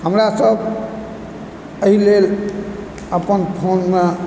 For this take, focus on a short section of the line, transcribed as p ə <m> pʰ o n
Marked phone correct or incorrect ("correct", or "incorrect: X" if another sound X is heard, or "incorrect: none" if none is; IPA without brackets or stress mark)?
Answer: incorrect: n